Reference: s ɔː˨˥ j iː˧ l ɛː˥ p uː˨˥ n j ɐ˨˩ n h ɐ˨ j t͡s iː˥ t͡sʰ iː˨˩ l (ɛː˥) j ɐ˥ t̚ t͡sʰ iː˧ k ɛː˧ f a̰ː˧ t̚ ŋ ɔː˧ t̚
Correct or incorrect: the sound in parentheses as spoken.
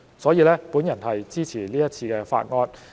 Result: incorrect: iː˥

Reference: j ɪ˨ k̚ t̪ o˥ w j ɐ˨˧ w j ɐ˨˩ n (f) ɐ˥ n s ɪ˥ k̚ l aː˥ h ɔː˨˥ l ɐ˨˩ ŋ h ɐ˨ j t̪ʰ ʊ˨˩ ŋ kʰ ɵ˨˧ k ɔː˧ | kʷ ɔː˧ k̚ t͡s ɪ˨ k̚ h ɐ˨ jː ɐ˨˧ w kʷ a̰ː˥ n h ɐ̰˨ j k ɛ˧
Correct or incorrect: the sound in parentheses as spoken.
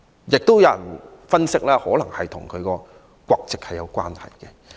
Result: correct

